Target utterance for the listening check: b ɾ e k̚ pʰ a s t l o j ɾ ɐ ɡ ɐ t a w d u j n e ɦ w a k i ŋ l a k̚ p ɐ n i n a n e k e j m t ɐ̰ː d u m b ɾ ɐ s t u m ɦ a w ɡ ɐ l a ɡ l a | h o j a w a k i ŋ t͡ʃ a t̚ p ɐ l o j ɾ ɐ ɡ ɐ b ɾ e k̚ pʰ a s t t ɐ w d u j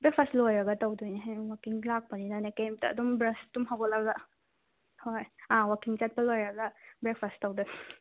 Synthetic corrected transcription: b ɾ e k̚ pʰ a s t l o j ɾ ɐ ɡ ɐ t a w d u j n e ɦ w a k i ŋ l a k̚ p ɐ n i n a n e k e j m t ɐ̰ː d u m b ɾ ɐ s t u m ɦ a w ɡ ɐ l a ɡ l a | h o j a w a k i ŋ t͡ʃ a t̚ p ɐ l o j ɾ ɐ ɡ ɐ b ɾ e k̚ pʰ a s t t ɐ w d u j